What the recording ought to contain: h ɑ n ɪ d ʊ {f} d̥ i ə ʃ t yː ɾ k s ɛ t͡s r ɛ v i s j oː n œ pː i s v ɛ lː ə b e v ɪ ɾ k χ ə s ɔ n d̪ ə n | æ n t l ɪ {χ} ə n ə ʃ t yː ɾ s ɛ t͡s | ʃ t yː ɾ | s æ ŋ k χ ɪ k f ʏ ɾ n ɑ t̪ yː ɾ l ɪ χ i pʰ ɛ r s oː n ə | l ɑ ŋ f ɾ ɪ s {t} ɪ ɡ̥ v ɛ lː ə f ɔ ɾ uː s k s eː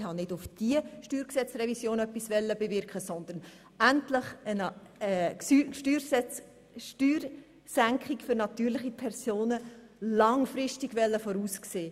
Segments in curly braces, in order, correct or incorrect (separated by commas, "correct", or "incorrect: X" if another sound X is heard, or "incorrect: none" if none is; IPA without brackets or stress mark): correct, correct, correct